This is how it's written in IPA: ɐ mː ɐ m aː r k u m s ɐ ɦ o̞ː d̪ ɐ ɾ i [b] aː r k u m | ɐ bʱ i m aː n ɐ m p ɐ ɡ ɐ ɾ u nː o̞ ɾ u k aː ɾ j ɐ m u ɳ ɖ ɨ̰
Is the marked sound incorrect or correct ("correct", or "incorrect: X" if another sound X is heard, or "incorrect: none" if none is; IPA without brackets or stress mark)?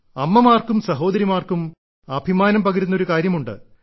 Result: incorrect: m